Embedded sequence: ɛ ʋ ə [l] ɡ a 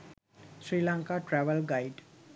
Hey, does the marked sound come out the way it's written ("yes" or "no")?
yes